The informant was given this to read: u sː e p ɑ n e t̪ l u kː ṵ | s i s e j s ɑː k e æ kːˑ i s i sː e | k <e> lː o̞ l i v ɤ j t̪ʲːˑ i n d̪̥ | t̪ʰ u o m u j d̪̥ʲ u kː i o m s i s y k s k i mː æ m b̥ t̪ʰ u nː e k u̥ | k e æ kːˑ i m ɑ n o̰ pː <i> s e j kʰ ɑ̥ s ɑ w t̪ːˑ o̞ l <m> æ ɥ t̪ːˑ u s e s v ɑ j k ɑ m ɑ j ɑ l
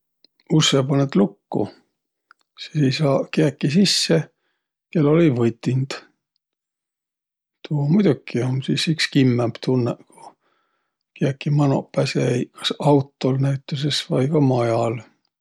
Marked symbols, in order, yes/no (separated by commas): yes, no, no